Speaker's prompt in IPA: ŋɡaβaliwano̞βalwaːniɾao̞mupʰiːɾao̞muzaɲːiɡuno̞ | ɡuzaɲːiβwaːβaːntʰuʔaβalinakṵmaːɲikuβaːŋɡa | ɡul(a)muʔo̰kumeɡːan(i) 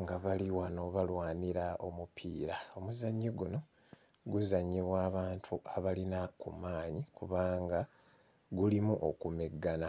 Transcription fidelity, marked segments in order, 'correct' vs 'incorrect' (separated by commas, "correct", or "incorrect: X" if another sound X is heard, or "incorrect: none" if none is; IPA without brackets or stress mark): incorrect: i, incorrect: a